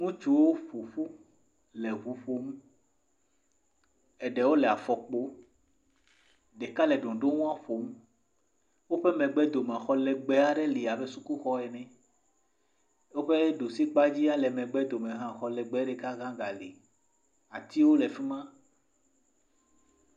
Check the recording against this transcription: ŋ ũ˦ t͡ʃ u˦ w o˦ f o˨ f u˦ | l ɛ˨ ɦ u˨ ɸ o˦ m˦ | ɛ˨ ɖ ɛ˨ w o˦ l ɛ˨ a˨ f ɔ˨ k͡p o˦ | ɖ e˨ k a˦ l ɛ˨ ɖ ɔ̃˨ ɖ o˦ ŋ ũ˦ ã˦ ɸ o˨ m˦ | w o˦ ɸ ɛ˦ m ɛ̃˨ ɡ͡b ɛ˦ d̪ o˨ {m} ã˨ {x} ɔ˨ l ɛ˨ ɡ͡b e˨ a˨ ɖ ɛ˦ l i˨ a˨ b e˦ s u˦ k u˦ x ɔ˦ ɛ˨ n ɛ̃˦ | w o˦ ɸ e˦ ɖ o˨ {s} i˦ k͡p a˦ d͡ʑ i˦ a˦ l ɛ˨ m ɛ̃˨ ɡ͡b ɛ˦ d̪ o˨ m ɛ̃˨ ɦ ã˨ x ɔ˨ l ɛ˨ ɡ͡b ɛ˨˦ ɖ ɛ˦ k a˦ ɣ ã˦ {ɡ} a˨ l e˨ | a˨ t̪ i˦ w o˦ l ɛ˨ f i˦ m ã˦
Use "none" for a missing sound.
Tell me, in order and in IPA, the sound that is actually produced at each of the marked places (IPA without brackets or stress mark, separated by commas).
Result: m, x, s, ɡ